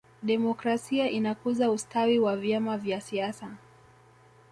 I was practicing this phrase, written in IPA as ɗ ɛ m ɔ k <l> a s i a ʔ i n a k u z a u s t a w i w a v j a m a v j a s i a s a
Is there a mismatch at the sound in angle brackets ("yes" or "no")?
yes